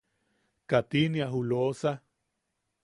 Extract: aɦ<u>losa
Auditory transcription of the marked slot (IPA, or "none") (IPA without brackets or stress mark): u